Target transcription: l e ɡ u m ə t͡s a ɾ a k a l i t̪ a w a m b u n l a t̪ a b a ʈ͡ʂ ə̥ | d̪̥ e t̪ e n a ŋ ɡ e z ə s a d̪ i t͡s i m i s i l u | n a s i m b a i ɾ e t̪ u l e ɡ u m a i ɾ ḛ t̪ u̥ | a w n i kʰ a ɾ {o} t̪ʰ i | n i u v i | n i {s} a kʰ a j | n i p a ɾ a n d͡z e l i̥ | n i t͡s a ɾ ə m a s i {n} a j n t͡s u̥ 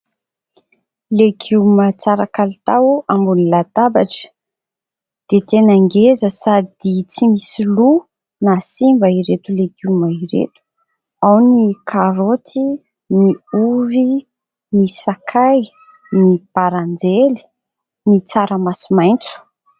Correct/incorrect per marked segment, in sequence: correct, correct, incorrect: m

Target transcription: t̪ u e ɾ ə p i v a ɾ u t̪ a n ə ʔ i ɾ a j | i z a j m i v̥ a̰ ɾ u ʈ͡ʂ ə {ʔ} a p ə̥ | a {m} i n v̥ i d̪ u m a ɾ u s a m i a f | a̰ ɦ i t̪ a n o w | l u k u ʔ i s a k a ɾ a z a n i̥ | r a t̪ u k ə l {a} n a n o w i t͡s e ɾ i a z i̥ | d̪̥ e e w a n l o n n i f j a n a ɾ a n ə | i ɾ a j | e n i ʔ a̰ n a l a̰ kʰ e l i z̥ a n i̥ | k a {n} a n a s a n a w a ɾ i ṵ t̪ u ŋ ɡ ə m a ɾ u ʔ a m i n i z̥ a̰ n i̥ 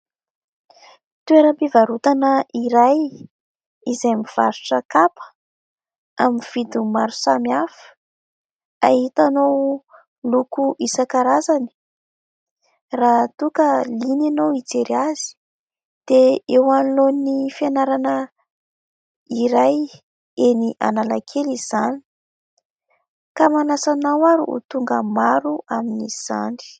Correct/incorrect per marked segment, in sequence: incorrect: k, correct, incorrect: i, incorrect: m

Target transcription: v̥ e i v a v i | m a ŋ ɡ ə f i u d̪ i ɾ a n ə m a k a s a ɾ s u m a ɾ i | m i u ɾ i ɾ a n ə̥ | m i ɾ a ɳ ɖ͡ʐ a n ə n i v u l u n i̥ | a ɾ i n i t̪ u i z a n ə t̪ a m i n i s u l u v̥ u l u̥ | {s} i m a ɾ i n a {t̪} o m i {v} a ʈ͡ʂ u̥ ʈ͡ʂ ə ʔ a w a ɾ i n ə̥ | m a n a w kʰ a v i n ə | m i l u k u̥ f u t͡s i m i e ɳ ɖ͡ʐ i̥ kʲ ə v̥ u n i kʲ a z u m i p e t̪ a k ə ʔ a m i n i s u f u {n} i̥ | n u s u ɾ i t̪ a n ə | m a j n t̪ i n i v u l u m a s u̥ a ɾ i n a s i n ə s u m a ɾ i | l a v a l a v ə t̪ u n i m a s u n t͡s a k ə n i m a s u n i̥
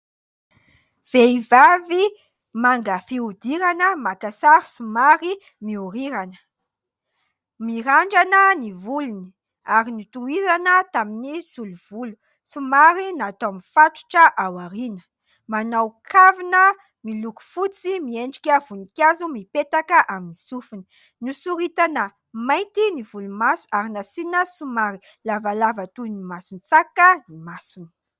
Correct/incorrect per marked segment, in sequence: correct, correct, incorrect: f, correct

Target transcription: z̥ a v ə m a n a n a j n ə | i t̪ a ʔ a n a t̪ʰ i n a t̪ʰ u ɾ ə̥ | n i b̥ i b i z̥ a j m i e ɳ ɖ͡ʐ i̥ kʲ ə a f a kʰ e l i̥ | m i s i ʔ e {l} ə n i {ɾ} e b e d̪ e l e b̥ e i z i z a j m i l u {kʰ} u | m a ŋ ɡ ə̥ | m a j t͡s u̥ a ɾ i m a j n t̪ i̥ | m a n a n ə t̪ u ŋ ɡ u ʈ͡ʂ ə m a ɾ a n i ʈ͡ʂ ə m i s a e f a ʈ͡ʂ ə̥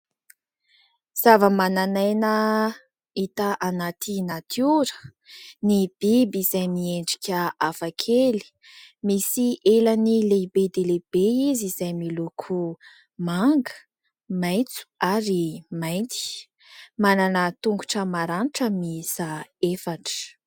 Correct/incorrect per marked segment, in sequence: correct, incorrect: l, correct

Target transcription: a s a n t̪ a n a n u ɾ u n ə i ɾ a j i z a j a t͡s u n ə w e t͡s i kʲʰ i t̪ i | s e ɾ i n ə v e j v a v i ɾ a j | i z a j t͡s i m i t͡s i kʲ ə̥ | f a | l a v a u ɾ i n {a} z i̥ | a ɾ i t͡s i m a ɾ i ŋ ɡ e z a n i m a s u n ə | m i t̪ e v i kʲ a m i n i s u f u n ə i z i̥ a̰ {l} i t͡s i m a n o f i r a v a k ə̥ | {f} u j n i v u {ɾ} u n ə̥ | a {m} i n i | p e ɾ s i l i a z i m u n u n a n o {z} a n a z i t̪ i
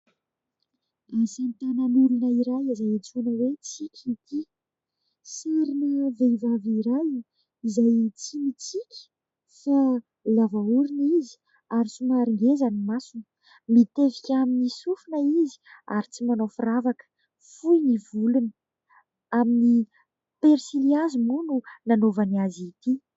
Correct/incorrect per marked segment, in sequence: incorrect: i, incorrect: ɾ, correct, incorrect: l, correct, incorrect: v

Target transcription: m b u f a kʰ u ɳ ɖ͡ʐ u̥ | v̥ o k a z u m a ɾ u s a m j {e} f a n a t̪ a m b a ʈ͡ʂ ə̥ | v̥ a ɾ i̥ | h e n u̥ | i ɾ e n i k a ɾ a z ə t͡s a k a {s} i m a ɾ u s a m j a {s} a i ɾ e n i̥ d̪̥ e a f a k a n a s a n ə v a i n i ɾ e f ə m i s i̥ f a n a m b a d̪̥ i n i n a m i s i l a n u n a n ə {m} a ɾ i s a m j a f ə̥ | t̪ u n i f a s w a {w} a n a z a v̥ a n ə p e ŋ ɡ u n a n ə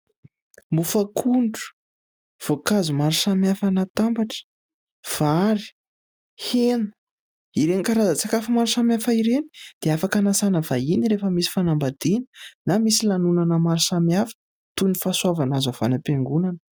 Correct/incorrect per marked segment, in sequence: incorrect: a, incorrect: f, incorrect: f, correct, incorrect: v

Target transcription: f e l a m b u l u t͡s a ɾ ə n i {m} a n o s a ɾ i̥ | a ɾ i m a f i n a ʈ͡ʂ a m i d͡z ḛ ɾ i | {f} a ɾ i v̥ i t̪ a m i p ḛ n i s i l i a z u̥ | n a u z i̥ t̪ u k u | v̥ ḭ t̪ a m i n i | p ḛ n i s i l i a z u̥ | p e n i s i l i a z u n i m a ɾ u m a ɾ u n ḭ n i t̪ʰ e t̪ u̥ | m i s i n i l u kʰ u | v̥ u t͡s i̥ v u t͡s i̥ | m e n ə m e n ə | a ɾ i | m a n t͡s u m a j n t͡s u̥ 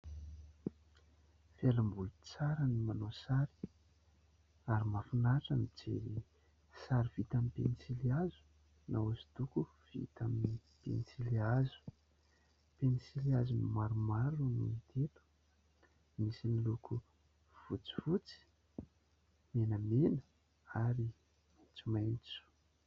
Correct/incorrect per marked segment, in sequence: correct, incorrect: s

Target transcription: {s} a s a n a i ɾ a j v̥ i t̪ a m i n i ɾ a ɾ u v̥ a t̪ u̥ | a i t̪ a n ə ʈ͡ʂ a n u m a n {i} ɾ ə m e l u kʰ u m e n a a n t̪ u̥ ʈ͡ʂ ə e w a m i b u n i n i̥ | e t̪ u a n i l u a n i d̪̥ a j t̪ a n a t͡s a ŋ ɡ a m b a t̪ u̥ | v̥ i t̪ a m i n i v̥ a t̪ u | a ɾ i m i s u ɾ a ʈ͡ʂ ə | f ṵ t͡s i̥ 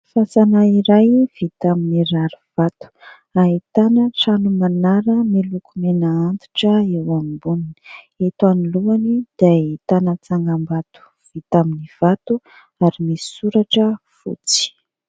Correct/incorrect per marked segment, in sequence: incorrect: f, incorrect: a

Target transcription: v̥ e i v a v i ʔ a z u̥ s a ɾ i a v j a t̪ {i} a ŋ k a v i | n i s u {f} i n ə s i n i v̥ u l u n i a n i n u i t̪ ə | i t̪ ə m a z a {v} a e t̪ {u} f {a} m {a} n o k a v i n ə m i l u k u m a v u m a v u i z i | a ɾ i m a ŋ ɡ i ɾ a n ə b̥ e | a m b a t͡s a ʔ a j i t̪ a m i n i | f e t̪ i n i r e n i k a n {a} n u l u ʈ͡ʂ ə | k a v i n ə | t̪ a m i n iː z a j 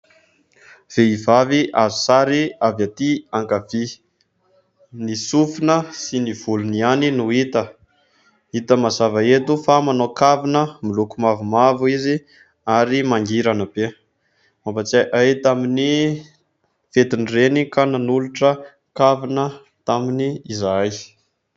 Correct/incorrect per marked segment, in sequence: correct, correct, correct, correct, correct, correct, correct

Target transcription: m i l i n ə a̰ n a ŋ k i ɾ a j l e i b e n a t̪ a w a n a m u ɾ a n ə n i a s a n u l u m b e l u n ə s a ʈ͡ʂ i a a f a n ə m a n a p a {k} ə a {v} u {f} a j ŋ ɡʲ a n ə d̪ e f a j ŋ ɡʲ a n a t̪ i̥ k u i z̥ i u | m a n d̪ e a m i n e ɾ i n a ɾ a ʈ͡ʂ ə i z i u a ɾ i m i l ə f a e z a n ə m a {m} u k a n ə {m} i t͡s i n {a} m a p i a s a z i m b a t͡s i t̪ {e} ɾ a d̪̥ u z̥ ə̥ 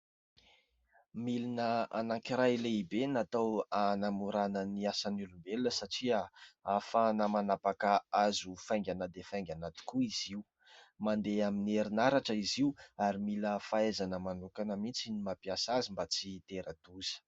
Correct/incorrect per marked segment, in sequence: correct, incorrect: z, correct, incorrect: n, correct, incorrect: i, correct

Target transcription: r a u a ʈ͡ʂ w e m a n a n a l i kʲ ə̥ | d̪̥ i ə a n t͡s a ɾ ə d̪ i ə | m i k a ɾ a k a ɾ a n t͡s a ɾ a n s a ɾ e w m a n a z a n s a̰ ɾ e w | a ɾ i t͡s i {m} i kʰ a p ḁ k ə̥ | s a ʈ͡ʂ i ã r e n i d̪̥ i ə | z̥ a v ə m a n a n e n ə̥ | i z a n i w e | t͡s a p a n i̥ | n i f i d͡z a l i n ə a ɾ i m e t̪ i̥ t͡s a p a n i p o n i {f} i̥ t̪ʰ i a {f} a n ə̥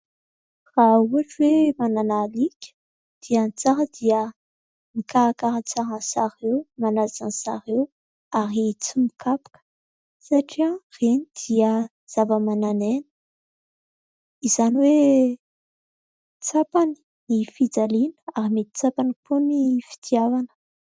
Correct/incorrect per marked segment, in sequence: correct, correct, incorrect: v

